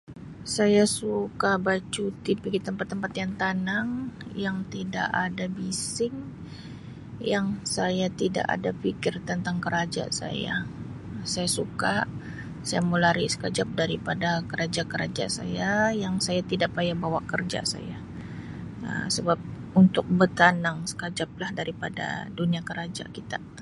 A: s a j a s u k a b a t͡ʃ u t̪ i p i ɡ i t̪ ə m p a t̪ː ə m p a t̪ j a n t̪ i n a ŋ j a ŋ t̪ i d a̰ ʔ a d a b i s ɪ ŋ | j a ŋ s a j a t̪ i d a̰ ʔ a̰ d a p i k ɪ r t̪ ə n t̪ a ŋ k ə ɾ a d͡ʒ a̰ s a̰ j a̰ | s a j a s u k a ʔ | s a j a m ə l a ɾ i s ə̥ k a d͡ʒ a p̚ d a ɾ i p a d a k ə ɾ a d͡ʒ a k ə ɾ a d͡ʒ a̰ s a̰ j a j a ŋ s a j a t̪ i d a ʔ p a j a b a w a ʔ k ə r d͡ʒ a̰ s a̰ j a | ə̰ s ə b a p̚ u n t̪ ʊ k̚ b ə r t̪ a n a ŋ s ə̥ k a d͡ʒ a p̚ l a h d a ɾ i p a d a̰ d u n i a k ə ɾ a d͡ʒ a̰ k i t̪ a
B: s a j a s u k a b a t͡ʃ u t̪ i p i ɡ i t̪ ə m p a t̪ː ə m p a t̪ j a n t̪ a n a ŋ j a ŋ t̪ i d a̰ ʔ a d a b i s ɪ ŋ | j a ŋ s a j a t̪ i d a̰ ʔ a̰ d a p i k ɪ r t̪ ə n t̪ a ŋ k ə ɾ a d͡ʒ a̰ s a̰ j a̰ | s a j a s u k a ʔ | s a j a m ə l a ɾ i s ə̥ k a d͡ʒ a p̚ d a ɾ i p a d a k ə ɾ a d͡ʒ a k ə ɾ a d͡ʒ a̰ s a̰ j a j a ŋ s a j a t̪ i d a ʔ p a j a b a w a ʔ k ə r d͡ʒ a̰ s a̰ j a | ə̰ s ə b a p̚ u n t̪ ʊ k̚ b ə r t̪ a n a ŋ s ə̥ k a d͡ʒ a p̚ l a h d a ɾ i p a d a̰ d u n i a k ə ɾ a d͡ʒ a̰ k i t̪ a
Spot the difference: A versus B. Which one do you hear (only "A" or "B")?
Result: B